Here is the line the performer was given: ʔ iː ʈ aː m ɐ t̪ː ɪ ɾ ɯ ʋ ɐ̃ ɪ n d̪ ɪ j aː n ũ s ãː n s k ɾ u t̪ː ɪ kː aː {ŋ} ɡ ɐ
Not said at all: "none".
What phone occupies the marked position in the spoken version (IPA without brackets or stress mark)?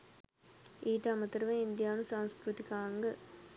ŋ